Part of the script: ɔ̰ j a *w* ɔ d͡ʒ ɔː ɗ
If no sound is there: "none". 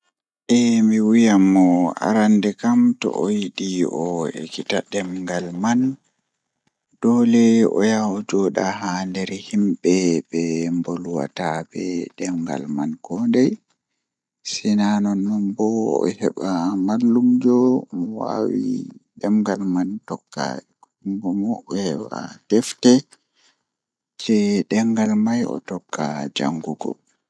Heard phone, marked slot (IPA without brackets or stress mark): w